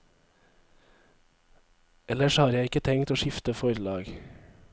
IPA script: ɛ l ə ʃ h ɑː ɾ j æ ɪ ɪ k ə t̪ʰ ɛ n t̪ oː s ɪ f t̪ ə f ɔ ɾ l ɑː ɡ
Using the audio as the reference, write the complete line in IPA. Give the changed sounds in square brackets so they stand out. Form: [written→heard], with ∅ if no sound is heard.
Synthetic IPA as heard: ɛ l ə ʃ h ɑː ɾ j æ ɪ ɪ k ə t̪ʰ ɛ [n→ŋ] t̪ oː [s→ʃ] ɪ f t̪ ə f ɔ ɾ l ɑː ɡ